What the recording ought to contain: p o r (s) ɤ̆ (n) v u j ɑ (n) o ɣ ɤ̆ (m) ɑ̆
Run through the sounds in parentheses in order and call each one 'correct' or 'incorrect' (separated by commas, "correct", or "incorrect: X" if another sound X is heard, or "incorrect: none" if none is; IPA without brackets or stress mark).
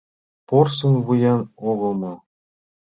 correct, correct, correct, correct